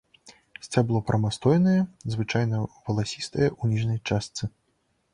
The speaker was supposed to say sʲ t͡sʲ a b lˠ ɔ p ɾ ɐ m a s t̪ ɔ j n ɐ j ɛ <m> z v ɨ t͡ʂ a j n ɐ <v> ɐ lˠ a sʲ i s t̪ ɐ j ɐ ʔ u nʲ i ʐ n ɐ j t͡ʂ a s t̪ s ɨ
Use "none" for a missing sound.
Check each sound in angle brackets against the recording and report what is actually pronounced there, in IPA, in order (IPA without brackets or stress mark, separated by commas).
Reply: none, v